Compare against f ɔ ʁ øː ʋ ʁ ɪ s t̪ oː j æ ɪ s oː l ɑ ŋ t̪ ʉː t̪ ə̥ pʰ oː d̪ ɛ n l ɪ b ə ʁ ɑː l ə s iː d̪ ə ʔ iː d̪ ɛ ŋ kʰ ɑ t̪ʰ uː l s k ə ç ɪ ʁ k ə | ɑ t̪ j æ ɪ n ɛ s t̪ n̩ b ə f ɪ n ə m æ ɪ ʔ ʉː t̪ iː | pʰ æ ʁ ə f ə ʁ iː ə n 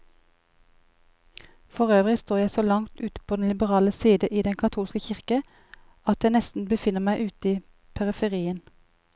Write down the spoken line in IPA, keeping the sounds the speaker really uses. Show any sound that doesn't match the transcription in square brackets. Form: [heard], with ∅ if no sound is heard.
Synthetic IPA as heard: f ɔ ʁ øː ʋ ʁ ɪ s t̪ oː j æ ɪ s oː l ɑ ŋ t̪ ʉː t̪ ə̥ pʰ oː d̪ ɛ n l ɪ b ə ʁ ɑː l ə s iː d̪ ə ʔ iː d̪ ɛ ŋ kʰ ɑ t̪ʰ uː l s k ə ç ɪ ʁ k ə | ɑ t̪ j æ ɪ n ɛ s t̪ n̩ b ə f ɪ n ə m æ ɪ ʔ ʉː t̪ iː | pʰ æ ʁ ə f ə ʁ iː ə n